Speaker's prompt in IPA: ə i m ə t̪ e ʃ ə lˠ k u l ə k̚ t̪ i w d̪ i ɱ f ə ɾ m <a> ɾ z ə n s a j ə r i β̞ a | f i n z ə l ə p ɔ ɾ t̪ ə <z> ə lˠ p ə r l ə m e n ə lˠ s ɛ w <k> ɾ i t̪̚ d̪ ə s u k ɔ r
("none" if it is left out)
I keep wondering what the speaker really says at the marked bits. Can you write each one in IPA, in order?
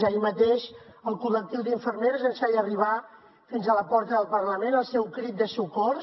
e, ð, k

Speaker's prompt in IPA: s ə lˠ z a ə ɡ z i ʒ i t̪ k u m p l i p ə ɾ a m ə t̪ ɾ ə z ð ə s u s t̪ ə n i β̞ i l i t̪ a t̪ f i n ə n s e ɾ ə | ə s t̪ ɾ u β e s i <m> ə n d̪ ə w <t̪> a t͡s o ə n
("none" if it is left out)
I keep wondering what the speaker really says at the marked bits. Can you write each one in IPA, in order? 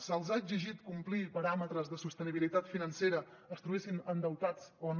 n, t̪

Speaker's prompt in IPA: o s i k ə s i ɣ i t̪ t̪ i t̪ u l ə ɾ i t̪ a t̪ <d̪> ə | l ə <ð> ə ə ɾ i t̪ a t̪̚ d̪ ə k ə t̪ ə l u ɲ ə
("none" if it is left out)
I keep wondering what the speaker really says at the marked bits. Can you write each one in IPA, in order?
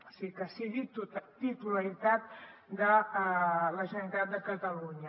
d̪, ʒ

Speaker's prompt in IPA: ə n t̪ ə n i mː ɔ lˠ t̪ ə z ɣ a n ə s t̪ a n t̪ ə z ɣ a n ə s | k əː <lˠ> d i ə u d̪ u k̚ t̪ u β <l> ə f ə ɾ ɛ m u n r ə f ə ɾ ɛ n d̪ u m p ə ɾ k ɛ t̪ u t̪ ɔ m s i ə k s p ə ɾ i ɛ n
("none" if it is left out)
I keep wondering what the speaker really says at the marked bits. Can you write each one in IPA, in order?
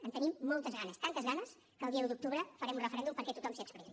lˠ, ɾ

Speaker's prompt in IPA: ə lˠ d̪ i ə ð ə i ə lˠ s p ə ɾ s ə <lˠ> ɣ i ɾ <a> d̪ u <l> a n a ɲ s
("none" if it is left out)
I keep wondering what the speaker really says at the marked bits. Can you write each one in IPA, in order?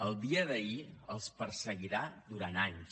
none, a, ɾ

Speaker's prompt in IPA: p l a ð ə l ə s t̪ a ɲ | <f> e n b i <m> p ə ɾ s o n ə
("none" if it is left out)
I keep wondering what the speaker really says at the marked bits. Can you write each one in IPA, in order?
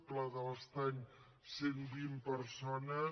s, m

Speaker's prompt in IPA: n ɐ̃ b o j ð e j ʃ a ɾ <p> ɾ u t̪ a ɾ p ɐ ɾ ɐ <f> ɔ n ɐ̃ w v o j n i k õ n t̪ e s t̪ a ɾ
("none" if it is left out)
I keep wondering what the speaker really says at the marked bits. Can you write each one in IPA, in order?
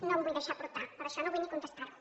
p, ʃ

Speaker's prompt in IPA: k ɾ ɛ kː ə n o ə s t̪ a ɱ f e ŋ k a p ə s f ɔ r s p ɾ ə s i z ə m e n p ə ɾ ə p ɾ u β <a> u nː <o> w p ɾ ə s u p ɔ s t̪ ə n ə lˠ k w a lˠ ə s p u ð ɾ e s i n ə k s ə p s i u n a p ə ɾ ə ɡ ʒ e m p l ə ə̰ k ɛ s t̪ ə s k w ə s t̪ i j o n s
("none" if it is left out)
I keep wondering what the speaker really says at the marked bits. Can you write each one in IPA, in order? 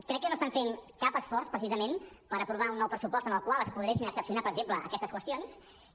a, ɔ

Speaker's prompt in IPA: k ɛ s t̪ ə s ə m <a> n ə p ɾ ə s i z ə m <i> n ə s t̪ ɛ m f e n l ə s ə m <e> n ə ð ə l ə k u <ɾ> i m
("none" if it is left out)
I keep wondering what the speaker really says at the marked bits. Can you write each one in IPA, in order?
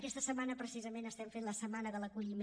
a, e, a, ʎ

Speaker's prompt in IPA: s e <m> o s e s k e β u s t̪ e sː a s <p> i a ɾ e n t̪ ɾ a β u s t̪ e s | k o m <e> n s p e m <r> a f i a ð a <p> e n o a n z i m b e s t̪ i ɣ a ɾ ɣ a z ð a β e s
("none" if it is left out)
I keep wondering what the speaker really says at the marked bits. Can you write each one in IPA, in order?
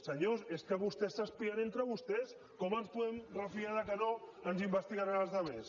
ɲ, p, a, r, k

